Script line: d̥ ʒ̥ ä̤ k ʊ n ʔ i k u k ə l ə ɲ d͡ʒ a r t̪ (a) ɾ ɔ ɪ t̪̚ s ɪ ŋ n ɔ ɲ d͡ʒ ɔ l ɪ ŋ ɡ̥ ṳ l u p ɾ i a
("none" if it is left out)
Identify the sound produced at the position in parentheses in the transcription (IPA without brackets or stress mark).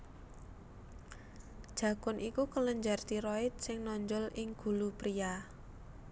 i